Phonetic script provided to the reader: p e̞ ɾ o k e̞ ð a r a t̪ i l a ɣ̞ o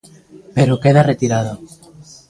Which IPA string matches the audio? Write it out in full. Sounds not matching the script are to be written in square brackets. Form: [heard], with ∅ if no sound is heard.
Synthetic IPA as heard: p e̞ ɾ o k e̞ ð a r [e] t̪ i [ɾ] a [ð̞] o